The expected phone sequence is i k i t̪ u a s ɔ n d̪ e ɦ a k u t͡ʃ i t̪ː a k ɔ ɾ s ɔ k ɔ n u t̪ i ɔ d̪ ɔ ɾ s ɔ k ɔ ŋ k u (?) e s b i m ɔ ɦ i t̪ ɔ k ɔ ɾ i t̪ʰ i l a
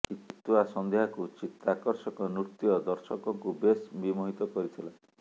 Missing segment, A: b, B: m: A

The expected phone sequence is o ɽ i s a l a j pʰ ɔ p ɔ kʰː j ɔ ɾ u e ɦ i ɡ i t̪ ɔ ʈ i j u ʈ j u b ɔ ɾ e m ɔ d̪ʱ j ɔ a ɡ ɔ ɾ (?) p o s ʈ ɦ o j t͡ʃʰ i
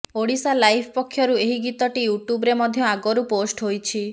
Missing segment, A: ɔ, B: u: B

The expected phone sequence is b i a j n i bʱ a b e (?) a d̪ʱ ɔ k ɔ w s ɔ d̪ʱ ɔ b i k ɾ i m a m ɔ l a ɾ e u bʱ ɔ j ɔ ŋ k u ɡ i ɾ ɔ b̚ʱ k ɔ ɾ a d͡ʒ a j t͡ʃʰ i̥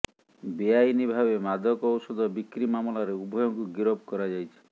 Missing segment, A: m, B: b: A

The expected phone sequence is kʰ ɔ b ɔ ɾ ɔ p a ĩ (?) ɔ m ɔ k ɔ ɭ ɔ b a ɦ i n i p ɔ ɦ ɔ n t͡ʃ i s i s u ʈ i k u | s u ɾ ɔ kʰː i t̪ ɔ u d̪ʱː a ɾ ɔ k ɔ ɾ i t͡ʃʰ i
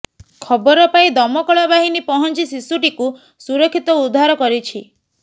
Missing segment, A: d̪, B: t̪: A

